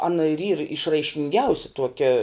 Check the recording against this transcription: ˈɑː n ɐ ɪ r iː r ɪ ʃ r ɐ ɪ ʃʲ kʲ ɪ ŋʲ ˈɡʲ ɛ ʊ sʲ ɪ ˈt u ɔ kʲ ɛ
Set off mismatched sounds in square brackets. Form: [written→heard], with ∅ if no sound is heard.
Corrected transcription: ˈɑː n ɐ ɪ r iː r ɪ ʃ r ɐ ɪ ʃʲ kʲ ɪ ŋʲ ˈɡʲ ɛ ʊ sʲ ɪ ˈt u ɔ kʲ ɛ